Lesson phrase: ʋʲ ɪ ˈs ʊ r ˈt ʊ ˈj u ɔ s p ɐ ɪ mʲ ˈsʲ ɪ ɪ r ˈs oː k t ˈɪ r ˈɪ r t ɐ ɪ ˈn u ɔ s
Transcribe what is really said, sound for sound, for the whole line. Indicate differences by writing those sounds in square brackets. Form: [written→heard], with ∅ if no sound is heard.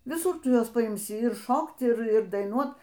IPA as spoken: ʋʲ ɪ ˈs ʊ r ˈt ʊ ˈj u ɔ s p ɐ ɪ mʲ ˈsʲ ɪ ɪ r [ˈs→ˈʃ] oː k t ˈɪ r ˈɪ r [t→d] ɐ ɪ ˈn u ɔ [s→t]